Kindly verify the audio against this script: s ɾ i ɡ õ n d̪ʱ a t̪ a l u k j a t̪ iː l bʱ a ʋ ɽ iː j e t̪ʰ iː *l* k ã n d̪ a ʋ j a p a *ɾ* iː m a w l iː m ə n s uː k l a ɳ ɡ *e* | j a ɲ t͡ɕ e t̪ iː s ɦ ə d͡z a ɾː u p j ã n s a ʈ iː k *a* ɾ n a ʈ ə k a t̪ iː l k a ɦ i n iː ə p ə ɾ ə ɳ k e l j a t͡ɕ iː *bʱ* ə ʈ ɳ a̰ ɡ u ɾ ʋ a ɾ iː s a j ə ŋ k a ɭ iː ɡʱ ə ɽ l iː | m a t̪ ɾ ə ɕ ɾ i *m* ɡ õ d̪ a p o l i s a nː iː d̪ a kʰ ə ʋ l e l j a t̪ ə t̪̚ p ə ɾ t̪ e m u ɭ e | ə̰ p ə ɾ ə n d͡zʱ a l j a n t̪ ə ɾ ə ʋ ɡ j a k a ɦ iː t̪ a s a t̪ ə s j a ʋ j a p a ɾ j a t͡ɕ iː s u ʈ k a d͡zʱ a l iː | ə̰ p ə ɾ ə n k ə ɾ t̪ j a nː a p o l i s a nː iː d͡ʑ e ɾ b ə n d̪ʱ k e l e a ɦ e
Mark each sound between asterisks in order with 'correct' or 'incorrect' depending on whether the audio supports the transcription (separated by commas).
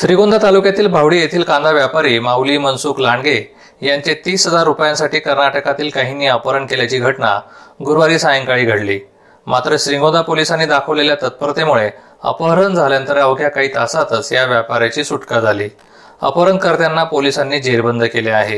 correct, correct, correct, incorrect, incorrect, incorrect